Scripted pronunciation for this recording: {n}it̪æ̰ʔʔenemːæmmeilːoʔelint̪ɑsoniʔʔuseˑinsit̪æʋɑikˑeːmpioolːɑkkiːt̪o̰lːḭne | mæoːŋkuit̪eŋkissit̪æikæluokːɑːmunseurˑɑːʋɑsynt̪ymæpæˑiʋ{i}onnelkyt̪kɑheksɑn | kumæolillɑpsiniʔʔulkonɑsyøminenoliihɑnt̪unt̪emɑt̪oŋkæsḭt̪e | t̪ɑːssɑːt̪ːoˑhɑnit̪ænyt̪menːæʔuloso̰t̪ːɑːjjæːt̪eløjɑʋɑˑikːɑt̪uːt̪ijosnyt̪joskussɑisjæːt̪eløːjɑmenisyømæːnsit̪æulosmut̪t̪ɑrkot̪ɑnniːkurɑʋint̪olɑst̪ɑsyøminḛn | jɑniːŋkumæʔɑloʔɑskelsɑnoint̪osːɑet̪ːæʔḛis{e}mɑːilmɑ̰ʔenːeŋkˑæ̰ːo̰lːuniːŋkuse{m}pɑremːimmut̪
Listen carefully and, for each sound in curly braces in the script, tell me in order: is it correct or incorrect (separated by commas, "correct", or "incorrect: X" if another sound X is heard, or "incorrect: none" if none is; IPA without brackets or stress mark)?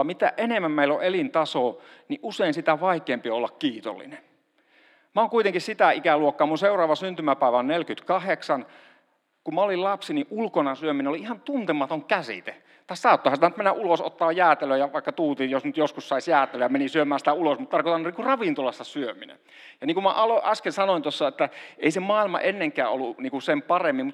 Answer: incorrect: m, incorrect: æ, correct, correct